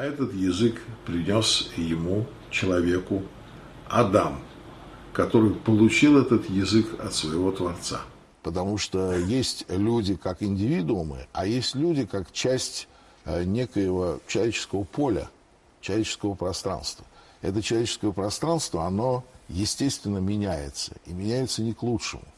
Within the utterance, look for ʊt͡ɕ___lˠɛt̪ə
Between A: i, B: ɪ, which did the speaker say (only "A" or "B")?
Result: A